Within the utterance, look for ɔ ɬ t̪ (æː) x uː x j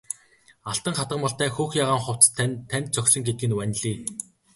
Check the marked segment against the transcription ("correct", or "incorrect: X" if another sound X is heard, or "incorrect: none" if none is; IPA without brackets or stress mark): correct